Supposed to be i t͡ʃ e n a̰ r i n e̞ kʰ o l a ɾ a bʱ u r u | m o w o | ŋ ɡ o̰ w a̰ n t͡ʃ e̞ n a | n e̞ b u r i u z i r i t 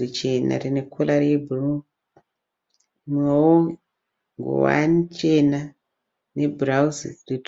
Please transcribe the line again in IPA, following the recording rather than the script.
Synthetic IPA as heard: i t͡ʃ e n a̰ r i n e̞ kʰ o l a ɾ e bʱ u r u | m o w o | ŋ ɡ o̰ w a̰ n t͡ʃ e̞ n a | n e̞ b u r a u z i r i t